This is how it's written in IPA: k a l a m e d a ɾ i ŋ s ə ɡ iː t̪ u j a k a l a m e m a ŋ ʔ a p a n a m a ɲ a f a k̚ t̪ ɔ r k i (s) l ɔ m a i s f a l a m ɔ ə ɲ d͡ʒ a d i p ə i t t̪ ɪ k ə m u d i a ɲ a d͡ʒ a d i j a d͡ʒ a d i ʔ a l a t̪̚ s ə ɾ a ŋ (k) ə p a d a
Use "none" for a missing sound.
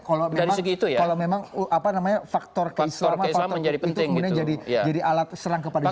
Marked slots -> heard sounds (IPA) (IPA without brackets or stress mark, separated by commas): s, k